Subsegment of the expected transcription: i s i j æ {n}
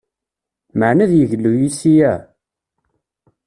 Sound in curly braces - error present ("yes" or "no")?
yes